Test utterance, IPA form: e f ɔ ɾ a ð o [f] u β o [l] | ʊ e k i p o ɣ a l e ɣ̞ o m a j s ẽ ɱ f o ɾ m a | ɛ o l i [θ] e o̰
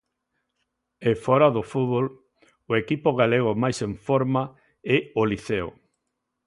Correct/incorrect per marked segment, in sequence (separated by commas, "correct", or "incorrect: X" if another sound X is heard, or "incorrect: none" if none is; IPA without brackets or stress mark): correct, correct, correct